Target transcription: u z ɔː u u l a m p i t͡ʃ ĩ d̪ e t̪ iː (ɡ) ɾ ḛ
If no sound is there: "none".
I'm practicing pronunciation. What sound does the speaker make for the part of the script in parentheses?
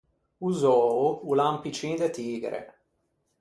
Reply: ɡ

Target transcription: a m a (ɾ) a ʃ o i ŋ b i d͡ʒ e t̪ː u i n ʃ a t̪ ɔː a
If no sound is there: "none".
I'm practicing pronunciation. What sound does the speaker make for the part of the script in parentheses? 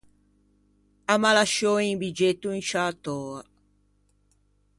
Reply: l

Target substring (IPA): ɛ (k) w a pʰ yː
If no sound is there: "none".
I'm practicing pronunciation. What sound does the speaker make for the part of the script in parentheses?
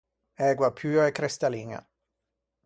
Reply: ɡ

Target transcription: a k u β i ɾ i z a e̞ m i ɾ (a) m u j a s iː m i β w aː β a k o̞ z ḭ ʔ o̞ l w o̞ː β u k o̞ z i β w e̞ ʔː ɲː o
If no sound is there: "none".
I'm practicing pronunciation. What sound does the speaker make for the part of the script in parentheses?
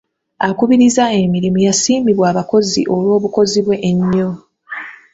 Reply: i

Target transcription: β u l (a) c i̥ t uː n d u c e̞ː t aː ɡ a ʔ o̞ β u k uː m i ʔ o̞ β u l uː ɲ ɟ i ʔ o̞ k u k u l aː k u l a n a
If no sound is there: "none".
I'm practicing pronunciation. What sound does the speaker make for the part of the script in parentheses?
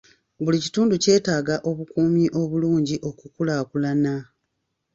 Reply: i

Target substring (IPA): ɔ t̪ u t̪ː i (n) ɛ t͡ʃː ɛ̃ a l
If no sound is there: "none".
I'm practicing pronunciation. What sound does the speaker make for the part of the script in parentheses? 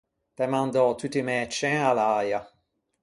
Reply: m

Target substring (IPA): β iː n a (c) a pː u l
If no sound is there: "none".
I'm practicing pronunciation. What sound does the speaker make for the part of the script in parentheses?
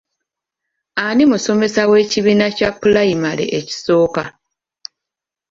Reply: c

